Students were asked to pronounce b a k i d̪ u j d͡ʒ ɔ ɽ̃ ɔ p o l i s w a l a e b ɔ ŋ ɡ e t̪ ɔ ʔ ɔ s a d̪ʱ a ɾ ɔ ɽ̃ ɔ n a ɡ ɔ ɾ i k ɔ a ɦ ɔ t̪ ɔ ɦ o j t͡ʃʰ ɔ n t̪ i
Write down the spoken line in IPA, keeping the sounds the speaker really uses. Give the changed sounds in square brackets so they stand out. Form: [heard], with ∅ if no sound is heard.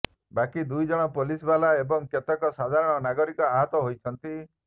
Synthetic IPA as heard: b a k i d̪ u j d͡ʒ ɔ ɽ̃ ɔ p o l i s [b] a l a e b ɔ ŋ [k] e t̪ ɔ [k] ɔ s a d̪ʱ a ɾ ɔ ɽ̃ ɔ n a ɡ ɔ ɾ i k ɔ a ɦ ɔ t̪ ɔ ɦ o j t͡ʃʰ ɔ n t̪ i